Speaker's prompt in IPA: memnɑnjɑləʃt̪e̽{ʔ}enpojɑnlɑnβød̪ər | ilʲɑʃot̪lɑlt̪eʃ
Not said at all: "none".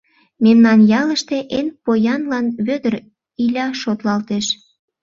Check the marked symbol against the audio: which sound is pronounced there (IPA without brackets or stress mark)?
ʔ